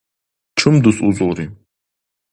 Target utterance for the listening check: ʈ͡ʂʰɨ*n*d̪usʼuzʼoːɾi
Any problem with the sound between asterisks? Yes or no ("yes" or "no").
yes